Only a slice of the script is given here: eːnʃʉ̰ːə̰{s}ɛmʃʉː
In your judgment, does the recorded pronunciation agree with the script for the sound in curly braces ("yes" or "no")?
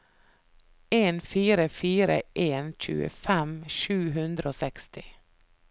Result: no